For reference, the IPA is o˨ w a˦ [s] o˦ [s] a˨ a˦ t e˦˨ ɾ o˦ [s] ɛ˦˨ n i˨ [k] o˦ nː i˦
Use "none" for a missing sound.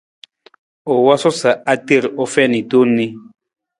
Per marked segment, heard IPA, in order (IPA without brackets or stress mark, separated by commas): s, s, f, t